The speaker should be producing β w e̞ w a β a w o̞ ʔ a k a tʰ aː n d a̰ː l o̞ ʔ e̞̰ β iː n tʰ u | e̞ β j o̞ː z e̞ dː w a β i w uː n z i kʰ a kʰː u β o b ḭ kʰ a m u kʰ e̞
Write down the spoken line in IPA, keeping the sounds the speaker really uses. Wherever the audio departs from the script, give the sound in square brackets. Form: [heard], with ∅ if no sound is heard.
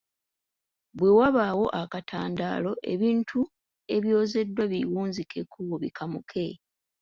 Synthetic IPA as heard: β w e̞ w a β a w o̞ ʔ a k a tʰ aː n d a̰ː l o̞ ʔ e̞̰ β iː n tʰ u | e̞ β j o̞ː z e̞ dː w a β i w uː n z i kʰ [e] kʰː u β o [β] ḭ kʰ a m u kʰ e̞